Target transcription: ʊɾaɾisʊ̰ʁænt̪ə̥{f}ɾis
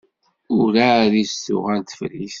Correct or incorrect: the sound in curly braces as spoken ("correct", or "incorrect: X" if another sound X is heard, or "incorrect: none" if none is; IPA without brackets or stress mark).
correct